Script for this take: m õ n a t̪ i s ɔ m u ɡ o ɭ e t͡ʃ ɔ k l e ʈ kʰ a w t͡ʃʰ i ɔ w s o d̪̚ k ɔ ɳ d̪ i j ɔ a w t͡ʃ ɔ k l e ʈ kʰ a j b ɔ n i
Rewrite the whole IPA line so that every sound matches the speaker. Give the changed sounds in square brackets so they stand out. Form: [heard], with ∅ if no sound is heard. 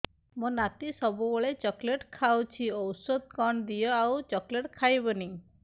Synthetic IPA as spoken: m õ n a t̪ i s ɔ [b] u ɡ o ɭ e t͡ʃ ɔ k l e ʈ kʰ a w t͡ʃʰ i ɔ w s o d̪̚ k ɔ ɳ d̪ i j ɔ a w t͡ʃ ɔ k l e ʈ kʰ a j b ɔ n i